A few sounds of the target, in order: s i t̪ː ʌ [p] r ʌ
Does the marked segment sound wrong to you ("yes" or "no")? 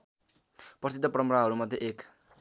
no